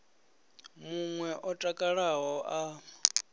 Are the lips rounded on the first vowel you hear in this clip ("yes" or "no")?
yes